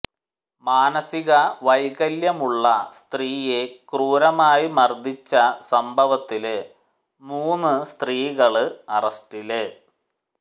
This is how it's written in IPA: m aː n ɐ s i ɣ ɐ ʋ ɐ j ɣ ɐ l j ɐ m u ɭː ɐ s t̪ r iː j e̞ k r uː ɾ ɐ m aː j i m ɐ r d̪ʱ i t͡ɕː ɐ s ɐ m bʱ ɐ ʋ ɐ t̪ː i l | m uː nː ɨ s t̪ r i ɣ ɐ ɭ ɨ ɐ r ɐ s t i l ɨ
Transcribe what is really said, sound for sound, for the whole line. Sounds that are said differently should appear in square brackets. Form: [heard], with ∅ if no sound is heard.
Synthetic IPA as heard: m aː n ɐ s i ɣ ɐ ʋ ɐ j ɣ ɐ l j ɐ m u ɭː ɐ s t̪ r iː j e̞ k r uː ɾ ɐ m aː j i m ɐ r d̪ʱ i t͡ɕː ɐ s ɐ m bʱ ɐ ʋ ɐ t̪ː i l | m uː nː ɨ s t̪ r [iː] ɣ ɐ ɭ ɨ ɐ r ɐ s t i l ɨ